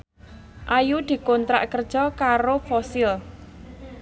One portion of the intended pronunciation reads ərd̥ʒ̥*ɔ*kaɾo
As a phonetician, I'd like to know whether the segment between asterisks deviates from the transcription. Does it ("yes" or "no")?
no